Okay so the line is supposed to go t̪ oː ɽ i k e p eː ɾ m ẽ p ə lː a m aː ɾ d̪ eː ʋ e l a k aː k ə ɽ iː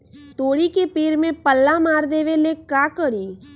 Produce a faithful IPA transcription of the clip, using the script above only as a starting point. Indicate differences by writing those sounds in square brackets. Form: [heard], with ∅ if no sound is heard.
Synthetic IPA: t̪ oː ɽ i k e p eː ɾ m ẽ p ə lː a m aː ɾ d̪ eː ʋ e l [e] k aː k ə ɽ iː